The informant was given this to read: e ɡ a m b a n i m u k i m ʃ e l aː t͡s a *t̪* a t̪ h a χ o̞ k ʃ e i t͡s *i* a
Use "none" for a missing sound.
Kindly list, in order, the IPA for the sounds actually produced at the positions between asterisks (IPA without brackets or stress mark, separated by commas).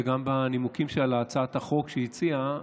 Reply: none, i